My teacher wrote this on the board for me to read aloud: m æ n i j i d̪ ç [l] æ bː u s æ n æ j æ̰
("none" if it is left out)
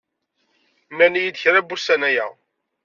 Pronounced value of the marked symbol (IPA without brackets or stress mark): ɾ